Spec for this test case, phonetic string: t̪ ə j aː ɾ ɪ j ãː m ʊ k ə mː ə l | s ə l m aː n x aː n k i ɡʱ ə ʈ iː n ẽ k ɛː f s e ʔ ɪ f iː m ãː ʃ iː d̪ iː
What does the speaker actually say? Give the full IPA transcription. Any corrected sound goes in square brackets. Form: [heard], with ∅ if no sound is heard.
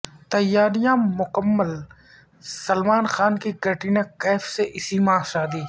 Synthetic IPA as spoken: t̪ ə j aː ɾ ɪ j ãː m ʊ k ə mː ə l | s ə l m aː n x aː n k i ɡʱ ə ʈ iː n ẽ k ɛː f s e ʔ ɪ [s] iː m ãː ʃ [aː] d̪ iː